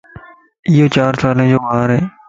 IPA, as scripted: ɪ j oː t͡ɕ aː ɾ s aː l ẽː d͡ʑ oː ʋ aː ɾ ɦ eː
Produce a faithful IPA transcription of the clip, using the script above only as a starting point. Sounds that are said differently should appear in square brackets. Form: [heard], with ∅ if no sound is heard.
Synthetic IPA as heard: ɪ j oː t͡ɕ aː ɾ s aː l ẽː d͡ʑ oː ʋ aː ɾ ɦ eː